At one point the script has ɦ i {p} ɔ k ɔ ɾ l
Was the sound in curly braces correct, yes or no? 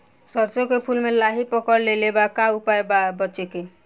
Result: yes